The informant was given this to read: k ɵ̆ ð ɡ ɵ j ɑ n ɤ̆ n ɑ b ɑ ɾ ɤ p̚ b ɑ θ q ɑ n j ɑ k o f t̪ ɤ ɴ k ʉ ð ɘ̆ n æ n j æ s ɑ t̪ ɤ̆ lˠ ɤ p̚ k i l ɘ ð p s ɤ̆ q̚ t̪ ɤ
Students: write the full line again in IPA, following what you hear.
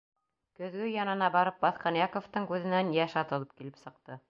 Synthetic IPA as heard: k ɵ̆ ð ɡ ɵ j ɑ n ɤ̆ n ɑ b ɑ ɾ ɤ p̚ b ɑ θ q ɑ n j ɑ k o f t̪ ɤ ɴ k ʉ ð ɘ̆ n æ n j æ ʃ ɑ t̪ ɤ̆ lˠ ɤ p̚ k i l ɘ p s ɤ̆ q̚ t̪ ɤ